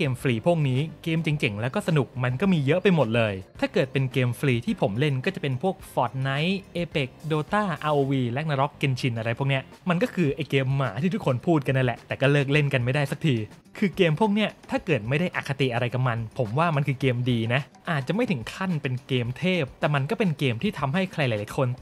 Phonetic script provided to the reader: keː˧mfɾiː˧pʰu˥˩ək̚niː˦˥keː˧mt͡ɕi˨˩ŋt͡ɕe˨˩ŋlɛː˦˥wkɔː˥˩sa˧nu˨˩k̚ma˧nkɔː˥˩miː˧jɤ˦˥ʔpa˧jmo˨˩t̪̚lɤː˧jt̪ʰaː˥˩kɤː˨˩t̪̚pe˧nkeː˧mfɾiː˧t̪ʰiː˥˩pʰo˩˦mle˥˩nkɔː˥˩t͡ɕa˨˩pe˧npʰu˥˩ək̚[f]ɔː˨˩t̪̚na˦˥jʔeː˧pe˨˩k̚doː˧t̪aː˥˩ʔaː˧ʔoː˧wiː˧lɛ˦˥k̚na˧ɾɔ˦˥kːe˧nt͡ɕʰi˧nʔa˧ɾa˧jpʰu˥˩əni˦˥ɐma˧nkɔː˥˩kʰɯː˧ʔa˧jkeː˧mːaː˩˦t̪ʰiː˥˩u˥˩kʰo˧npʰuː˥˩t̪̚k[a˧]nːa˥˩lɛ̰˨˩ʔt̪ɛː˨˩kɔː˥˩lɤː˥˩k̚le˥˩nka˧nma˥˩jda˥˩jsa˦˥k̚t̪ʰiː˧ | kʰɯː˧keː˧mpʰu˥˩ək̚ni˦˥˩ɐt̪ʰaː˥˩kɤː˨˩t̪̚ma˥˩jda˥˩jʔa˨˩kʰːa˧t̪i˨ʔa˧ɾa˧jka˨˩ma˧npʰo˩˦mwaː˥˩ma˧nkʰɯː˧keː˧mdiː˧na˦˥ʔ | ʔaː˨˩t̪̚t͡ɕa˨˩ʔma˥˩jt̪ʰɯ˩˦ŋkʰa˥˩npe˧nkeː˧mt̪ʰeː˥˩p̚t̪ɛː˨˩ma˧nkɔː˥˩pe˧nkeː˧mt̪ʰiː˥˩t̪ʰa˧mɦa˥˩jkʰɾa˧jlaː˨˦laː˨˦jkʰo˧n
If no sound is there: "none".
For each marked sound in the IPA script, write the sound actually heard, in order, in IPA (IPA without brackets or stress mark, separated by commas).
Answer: f, a˧